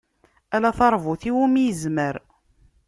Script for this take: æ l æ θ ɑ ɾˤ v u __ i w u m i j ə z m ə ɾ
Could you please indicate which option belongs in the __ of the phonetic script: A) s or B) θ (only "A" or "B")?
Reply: B